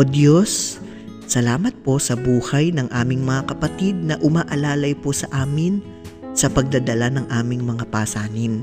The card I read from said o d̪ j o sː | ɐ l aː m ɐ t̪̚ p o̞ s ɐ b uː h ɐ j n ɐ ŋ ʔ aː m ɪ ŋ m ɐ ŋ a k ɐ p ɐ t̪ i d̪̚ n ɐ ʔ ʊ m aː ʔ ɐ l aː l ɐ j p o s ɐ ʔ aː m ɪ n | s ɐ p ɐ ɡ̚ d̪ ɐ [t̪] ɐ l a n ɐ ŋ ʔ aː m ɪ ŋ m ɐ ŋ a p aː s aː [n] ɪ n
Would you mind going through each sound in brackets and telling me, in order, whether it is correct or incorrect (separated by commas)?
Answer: incorrect, correct